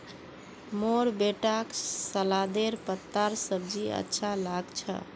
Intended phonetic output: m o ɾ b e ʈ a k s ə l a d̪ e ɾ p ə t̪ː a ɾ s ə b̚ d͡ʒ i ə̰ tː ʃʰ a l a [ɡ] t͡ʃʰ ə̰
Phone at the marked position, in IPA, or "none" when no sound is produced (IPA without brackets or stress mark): ɡ